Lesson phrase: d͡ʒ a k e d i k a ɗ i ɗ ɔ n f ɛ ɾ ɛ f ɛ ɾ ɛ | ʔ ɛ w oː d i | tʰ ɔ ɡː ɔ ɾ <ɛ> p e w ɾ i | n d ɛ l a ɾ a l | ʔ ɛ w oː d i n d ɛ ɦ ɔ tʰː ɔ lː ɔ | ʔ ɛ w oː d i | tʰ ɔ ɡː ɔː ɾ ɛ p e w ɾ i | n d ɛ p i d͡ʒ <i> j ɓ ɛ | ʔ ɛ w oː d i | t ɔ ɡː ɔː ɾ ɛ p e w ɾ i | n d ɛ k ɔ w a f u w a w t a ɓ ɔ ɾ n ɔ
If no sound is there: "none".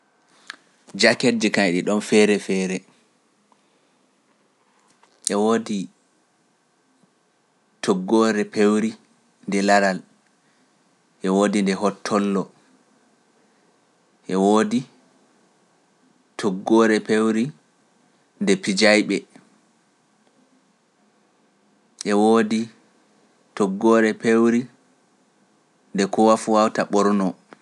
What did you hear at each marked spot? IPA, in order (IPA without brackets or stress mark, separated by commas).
ɛ, a